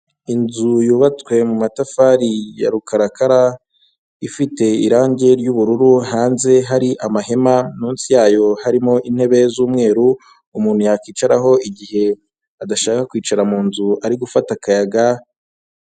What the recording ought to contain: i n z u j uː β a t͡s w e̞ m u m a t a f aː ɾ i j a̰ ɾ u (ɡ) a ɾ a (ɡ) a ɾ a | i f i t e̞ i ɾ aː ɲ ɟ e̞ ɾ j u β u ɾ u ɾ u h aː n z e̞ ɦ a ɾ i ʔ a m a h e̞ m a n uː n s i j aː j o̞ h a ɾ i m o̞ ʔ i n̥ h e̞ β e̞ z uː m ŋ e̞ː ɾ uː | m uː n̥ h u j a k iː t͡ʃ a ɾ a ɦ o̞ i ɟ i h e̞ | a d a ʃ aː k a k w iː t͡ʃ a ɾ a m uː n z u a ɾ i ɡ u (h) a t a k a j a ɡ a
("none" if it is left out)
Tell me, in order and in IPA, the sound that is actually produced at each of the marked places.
k, k, f

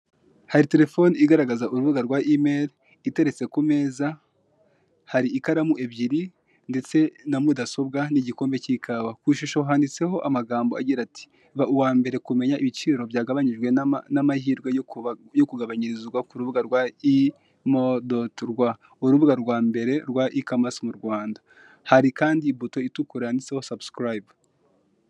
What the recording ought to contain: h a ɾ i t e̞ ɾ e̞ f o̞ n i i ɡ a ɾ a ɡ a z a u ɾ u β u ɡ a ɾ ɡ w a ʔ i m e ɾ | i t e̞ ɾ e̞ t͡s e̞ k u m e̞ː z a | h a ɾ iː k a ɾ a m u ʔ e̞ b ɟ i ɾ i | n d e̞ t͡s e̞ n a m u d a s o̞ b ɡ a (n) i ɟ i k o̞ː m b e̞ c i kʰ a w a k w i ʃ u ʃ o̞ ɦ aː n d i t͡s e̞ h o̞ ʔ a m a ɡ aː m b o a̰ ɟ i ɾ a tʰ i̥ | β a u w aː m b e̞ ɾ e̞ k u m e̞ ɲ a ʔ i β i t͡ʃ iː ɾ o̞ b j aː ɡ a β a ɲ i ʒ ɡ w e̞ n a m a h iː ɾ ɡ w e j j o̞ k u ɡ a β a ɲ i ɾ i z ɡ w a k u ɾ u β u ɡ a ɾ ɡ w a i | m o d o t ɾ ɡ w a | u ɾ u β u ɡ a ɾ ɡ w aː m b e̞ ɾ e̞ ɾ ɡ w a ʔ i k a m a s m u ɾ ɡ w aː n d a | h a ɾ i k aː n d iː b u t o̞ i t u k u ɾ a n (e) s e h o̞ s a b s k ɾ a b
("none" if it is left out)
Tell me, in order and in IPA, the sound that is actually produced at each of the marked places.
n, i

